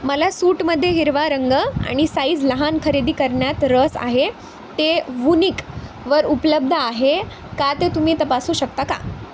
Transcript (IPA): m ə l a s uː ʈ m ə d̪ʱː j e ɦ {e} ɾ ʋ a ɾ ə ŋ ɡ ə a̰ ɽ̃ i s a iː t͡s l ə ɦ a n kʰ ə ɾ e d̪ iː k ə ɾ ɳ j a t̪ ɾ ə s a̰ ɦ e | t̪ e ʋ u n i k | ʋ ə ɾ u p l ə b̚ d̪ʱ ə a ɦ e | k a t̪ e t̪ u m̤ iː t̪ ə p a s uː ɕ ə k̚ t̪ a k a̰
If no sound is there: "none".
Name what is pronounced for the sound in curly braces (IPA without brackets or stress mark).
i